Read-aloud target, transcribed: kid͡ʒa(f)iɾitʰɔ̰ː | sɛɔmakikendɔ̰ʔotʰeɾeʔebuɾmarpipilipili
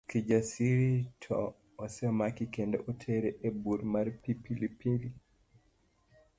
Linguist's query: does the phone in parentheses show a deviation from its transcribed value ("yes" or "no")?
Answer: yes